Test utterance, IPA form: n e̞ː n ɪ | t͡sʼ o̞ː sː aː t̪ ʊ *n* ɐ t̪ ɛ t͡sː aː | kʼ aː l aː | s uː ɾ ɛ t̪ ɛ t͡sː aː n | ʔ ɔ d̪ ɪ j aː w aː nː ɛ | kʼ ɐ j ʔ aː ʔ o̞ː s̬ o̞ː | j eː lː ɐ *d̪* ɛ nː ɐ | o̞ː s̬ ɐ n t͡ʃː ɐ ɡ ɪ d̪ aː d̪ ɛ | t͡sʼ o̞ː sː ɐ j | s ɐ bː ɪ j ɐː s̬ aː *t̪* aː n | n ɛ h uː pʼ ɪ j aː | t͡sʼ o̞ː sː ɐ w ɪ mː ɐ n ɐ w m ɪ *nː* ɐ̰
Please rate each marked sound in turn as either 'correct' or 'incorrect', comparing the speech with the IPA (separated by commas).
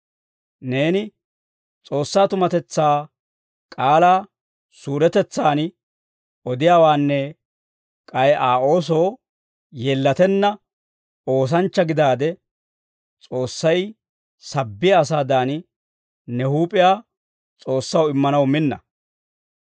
incorrect, incorrect, incorrect, correct